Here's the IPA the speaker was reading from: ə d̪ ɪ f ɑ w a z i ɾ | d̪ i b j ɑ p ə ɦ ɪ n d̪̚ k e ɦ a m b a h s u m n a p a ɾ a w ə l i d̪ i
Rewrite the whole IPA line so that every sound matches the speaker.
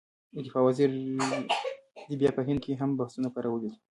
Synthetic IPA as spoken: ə d̪ ɪ f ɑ w a z i ɾ | d̪ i b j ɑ p ə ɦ ɪ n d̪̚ k e ɦ a m b a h s u n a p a ɾ a w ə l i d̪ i